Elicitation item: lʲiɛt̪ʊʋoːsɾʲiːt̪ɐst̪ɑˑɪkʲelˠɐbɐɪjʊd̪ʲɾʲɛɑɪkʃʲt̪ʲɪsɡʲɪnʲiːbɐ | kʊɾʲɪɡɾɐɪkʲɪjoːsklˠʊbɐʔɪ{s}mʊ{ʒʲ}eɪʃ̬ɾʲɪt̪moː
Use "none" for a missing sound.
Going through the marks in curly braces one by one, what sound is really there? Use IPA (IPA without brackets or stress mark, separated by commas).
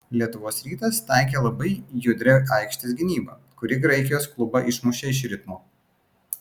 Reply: ʃ, ʃʲ